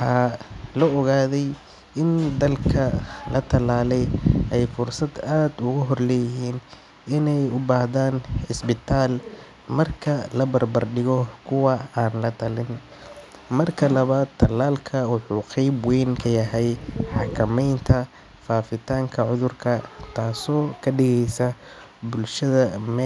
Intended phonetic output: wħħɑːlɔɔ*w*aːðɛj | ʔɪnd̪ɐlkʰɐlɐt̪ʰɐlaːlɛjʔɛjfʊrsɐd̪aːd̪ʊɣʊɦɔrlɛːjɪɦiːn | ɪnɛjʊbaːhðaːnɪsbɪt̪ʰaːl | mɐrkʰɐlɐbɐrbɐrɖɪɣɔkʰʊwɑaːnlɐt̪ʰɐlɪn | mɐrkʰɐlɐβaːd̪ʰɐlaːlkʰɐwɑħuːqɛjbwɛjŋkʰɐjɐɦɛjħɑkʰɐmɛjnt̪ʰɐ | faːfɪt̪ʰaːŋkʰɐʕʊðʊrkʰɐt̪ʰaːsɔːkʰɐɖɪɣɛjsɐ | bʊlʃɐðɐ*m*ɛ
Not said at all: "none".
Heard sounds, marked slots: ɣ, m

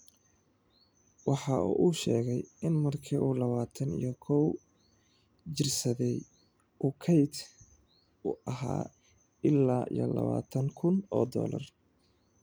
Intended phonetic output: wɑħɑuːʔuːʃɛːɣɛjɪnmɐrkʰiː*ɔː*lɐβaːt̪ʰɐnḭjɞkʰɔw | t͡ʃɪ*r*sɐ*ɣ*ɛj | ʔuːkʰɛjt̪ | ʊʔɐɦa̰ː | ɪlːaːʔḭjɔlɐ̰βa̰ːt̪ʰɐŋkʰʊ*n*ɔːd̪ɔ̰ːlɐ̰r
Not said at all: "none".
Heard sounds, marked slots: uː, r, ð, n

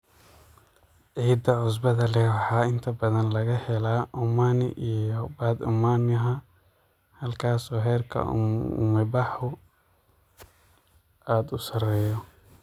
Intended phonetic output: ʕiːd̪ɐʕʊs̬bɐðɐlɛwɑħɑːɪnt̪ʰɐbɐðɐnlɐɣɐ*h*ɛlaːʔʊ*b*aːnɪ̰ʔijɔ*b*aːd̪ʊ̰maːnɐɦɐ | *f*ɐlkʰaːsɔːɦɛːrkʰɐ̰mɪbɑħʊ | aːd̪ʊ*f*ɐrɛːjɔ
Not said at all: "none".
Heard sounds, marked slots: h, m, b, h, s

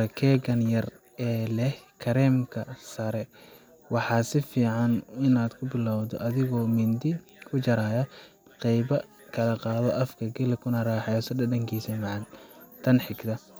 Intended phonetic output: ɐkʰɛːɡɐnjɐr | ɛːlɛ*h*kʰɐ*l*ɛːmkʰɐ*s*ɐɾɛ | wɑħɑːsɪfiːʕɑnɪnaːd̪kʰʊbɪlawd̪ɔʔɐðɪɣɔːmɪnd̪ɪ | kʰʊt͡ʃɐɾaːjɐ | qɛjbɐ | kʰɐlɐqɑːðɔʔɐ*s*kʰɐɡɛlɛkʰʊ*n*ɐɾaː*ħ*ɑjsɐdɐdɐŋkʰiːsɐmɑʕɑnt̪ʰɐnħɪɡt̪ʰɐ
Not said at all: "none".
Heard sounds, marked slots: h, ɾ, s, f, n, ħ

